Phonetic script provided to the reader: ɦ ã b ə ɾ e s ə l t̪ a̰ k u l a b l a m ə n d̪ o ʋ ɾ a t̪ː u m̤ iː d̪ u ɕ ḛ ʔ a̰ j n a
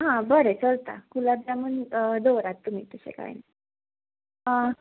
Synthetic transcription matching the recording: ɦ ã b ə ɾ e t͡s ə l t̪ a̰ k u l a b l a m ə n d̪ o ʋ ɾ a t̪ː u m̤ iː t̪ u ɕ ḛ k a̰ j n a